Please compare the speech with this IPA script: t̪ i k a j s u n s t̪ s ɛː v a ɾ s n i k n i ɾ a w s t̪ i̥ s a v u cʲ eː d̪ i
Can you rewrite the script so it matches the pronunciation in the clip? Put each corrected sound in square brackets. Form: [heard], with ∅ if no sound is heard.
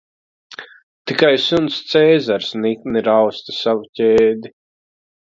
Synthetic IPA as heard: t̪ i k a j s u n s t̪ s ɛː [z] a ɾ s n i k n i ɾ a w s t̪ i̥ s a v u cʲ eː d̪ i